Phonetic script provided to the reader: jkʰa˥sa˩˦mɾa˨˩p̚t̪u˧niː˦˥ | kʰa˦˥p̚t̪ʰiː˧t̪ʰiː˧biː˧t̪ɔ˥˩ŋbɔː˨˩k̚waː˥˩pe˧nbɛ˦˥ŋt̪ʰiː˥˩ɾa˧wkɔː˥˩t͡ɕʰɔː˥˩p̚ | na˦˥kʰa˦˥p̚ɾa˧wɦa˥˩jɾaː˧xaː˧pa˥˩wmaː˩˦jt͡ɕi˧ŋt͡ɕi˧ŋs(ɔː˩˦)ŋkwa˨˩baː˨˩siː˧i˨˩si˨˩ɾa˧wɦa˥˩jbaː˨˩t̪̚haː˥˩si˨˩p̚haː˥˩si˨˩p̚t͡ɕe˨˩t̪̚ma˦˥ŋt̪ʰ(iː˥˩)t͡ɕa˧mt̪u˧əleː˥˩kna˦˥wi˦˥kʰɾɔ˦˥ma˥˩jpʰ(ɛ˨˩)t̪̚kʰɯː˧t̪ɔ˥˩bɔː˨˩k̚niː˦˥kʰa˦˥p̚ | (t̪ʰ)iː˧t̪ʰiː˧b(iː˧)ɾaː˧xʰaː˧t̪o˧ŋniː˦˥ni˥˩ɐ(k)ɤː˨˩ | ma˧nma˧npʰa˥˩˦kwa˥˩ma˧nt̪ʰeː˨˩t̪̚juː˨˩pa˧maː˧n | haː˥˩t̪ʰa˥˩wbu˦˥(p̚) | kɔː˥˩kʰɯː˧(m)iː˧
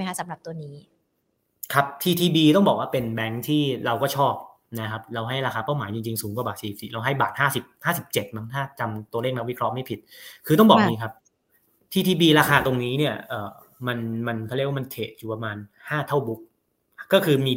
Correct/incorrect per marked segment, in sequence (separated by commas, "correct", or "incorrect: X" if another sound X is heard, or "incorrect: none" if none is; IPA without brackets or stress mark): incorrect: uː˩˦, incorrect: aː˥˩, incorrect: i˨˩, correct, correct, incorrect: ʔ, incorrect: k̚, correct